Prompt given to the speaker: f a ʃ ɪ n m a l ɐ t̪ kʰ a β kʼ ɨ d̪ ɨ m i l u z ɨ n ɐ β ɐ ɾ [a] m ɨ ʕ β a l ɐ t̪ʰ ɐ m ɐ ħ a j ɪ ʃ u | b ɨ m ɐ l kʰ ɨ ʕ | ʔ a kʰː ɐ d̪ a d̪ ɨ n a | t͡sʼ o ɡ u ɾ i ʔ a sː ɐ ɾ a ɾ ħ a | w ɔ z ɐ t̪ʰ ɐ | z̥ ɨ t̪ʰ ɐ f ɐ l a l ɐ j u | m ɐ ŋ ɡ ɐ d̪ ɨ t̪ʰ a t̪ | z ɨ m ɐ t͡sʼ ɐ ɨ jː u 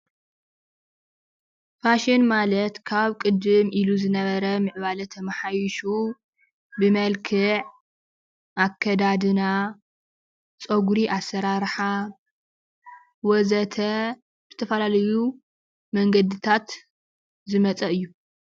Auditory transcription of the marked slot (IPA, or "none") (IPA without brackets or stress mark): ɐ